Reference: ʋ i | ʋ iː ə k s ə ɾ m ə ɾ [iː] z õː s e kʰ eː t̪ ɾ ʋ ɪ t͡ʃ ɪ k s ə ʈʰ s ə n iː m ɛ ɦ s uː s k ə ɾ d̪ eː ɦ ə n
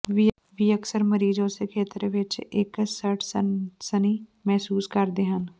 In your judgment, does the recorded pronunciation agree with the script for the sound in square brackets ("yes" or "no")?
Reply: yes